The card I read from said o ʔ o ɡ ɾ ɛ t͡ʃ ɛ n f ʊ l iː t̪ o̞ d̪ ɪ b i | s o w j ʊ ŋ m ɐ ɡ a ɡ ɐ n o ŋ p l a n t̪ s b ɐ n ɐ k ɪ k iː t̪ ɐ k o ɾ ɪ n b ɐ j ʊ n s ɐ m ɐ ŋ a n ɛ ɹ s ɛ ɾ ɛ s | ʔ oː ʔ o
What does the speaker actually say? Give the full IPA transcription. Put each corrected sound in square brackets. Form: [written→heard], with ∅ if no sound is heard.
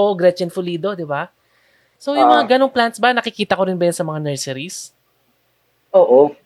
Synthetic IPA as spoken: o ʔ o ɡ ɾ ɛ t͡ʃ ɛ n f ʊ l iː [t̪→d̪] o̞ d̪ ɪ b [i→a] | s o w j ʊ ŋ m ɐ [ɡ→ŋ] a ɡ ɐ n o ŋ p l a n t̪ s b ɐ n ɐ k ɪ k iː t̪ ɐ k o ɾ ɪ n b ɐ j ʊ n s ɐ m ɐ ŋ a n ɛ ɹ s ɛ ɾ [ɛ→i] s | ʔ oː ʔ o